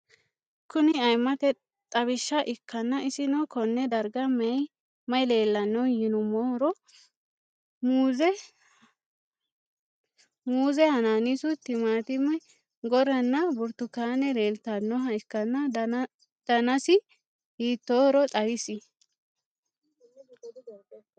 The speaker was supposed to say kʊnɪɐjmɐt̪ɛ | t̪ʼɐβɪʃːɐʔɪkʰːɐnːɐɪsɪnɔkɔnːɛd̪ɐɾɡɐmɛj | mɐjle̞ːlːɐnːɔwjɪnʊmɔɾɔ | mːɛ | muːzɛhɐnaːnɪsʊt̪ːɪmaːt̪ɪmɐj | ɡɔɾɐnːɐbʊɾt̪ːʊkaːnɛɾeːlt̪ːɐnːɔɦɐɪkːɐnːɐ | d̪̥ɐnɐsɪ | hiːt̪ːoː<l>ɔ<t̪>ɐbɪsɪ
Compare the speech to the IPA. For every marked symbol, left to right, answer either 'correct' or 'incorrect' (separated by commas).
incorrect, incorrect